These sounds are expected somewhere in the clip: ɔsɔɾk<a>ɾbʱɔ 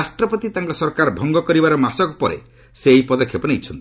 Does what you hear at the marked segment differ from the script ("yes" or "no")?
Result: no